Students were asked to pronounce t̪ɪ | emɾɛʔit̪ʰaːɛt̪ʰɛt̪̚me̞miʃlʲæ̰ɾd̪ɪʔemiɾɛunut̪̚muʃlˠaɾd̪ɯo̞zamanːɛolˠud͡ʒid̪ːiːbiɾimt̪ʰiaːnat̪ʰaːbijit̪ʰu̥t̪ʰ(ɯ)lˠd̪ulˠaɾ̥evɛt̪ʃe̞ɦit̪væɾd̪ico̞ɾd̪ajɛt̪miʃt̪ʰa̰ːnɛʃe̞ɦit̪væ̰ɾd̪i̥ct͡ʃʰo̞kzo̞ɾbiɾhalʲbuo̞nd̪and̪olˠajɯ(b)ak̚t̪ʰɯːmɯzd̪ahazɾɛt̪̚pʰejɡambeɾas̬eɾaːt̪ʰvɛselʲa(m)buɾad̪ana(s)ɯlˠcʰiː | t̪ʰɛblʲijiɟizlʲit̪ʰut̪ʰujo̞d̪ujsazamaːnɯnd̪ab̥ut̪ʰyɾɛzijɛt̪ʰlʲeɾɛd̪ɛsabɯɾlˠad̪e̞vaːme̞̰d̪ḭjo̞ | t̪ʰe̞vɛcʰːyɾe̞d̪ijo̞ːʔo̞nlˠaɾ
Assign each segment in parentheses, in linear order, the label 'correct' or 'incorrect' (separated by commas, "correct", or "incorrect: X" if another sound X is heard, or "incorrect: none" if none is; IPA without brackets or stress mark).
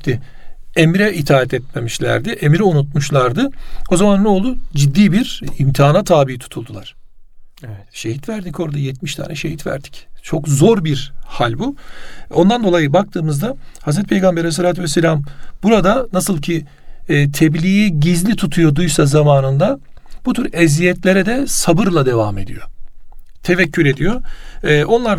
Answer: incorrect: u, correct, correct, correct